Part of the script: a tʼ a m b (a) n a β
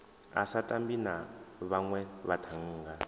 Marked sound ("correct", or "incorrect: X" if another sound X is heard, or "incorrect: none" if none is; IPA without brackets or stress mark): incorrect: i